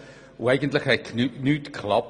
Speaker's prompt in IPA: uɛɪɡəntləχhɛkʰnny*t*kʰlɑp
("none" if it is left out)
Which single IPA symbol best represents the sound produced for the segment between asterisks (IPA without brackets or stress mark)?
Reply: t